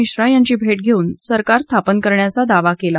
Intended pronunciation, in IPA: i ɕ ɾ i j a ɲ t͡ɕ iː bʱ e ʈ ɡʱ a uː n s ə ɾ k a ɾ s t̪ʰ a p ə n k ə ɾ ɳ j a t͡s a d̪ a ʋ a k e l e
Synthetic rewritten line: i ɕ ɾ a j a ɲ t͡ɕ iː bʱ e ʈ ɡʱ e uː n s ə ɾ k a ɾ s t̪ʰ a p ə n k ə ɾ ɳ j a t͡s a d̪ a ʋ a k e l a